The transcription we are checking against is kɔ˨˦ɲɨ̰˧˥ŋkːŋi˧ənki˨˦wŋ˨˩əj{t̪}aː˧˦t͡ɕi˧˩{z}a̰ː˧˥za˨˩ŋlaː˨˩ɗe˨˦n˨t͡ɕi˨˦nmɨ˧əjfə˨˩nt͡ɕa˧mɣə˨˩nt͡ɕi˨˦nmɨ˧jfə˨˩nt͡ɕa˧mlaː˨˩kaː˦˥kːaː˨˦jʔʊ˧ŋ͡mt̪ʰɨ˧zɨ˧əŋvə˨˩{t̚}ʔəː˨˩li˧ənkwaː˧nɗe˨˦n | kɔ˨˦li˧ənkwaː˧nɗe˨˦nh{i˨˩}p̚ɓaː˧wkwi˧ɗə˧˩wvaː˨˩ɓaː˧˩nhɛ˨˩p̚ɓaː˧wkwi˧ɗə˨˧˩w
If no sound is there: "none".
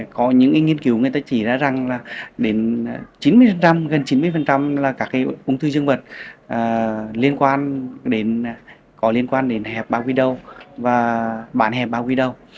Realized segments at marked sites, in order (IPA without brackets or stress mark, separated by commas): t̪, z, t̚, ɛ˨˩